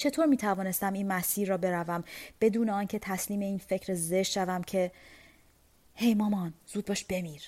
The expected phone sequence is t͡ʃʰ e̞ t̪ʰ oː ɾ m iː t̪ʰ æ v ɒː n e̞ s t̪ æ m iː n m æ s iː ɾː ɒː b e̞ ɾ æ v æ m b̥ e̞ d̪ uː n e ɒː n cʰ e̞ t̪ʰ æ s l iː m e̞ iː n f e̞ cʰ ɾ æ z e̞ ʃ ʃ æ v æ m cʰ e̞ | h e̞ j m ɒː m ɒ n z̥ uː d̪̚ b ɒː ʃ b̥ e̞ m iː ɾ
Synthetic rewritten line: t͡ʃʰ e̞ t̪ʰ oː ɾ m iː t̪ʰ æ v ɒː n e̞ s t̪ æ m iː n m æ s iː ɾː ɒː b e̞ ɾ æ v æ m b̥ e̞ d̪ uː n e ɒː n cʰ e̞ t̪ʰ æ s l iː m e̞ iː n f e̞ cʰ ɾ e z e̞ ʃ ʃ æ v æ m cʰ e̞ | h e̞ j m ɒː m ɒ n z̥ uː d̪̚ b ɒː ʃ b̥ e̞ m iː ɾ